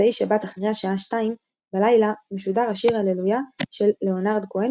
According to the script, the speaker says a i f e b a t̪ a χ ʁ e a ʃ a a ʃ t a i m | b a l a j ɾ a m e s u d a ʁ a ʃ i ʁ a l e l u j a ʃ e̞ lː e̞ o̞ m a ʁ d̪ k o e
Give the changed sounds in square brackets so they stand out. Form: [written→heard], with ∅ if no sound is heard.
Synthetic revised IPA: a i [f→ʃ] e b a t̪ a χ ʁ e a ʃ a a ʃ t a i m | b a l a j [ɾ→l] a m e [s→ʃ] u d a ʁ a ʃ i ʁ a l e l u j a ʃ e̞ lː e̞ o̞ [m→n] a ʁ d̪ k o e